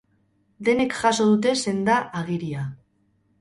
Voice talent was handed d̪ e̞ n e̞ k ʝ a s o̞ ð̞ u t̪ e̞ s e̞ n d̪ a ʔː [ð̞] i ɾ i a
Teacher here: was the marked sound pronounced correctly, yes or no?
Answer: no